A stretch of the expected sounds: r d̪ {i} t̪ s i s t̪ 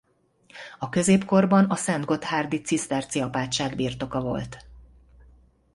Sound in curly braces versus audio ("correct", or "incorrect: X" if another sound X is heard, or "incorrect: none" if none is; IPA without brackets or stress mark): correct